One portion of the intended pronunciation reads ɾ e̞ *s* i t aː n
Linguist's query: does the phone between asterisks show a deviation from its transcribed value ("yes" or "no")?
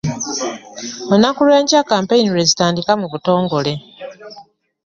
yes